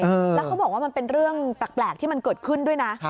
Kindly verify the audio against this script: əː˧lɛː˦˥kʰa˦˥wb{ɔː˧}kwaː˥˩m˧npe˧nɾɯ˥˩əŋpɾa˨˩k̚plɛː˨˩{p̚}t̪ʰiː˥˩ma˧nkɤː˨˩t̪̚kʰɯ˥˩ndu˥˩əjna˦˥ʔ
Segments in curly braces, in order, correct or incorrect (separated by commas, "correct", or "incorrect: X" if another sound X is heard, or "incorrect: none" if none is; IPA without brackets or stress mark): incorrect: ɔː˨˩, incorrect: k̚